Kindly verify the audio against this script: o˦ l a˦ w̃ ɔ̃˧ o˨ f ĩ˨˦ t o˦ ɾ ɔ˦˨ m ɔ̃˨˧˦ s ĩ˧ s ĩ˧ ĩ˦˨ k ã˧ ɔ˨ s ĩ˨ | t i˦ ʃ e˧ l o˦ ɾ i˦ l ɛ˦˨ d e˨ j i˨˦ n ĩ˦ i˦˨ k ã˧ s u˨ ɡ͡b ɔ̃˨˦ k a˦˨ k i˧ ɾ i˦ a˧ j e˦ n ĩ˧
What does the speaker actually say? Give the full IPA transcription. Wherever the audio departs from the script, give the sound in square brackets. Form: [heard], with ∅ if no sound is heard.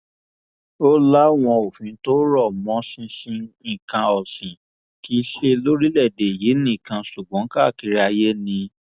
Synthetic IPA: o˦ l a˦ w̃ ɔ̃˧ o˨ f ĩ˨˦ t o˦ ɾ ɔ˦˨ m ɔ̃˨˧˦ s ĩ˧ s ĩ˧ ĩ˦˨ k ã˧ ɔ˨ s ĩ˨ | [k] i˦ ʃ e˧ l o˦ ɾ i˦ l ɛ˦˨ d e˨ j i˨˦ n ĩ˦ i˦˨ k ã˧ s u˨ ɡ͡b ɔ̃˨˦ k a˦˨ k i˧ ɾ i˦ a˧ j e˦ n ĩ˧